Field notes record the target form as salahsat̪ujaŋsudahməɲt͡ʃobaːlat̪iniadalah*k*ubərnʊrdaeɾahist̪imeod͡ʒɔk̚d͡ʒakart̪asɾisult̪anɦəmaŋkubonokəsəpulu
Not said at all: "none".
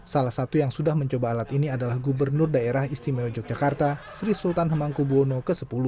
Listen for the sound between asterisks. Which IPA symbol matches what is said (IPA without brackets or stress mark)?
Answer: ɡ